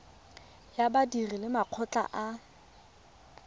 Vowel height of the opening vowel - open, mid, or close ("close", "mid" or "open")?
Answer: open